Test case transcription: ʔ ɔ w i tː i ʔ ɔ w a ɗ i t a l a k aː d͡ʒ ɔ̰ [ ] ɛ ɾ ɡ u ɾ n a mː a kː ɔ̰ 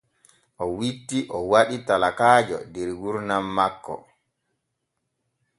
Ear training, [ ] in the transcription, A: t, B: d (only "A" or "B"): B